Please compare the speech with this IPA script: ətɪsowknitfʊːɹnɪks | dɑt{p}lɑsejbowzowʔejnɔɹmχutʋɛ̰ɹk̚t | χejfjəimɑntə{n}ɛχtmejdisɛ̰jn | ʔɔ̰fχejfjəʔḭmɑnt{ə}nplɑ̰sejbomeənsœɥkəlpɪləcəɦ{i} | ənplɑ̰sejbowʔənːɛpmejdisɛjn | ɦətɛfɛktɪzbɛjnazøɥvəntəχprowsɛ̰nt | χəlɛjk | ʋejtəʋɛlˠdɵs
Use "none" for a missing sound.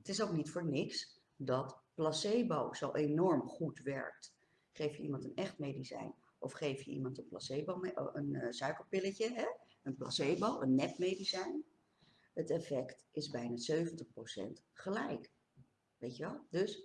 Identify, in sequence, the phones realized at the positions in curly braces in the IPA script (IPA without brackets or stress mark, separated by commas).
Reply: p, n, ə, ɛ